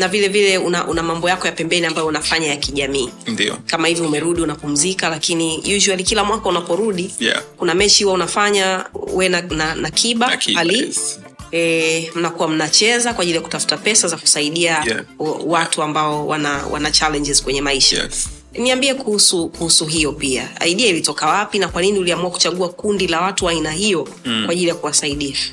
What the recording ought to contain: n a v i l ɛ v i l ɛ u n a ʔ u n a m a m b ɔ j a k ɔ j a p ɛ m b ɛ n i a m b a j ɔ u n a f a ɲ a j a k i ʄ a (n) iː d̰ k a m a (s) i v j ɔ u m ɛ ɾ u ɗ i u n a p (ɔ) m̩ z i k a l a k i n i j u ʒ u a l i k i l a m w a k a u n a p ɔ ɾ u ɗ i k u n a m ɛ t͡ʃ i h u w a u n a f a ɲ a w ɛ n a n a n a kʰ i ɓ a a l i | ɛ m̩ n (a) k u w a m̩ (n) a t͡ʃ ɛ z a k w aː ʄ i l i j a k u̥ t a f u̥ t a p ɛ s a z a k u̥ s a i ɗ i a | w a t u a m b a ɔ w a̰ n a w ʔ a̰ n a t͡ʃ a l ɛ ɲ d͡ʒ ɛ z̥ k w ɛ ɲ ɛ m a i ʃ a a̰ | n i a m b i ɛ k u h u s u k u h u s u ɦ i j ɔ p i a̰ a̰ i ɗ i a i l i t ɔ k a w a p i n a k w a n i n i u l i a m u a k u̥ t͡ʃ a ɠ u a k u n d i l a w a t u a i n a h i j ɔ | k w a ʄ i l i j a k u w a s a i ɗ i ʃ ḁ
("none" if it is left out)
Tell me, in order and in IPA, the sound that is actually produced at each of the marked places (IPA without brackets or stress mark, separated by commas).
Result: m, h, u, a, n